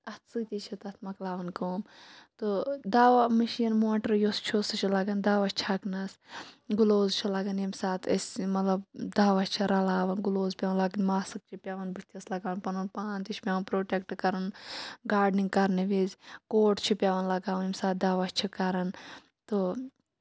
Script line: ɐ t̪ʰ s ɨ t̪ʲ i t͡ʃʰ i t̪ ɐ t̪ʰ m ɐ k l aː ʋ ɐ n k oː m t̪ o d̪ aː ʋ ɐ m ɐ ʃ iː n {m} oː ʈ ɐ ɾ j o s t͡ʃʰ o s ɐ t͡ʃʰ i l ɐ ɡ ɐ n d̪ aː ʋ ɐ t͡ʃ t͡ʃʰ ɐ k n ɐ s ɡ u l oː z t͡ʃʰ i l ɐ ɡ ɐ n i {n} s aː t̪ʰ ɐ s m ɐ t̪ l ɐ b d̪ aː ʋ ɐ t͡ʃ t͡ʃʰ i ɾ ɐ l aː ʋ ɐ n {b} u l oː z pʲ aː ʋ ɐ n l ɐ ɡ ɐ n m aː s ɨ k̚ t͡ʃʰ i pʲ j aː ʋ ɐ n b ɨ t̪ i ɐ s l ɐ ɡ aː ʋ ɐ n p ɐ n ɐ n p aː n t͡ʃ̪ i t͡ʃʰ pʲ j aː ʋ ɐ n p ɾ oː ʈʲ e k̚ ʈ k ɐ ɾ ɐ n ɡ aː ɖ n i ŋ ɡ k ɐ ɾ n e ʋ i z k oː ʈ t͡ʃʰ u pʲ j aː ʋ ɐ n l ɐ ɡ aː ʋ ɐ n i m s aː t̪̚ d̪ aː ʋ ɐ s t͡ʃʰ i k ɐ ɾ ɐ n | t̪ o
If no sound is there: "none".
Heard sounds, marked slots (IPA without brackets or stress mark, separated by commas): m, m, ɡ